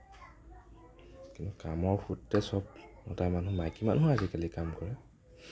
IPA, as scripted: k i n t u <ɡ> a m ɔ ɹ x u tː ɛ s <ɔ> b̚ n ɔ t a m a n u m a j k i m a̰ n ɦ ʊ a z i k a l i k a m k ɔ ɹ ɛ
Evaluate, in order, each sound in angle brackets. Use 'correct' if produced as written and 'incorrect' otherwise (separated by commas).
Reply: incorrect, correct